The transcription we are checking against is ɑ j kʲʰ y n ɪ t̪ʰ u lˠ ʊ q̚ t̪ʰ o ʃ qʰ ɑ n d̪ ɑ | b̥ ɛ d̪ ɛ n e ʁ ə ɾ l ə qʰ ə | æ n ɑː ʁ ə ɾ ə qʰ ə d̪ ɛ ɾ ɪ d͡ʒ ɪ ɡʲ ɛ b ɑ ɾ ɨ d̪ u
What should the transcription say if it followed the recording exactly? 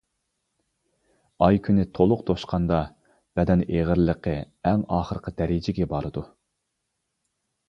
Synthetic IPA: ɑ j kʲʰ y n ɪ t̪ʰ o lˠ ʊ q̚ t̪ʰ o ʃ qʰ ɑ n d̪ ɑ | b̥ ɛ d̪ ɛ n e ʁ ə ɾ l ə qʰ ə | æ ŋ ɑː χ ə ɾ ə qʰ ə d̪ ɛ ɾ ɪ d͡ʒ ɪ ɡʲ ɛ b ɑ ɾ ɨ d̪ u